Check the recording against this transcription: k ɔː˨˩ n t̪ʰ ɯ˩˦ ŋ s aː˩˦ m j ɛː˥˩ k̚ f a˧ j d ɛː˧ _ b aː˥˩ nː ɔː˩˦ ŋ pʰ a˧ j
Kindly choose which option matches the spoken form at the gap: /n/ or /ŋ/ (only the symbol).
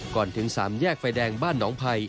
ŋ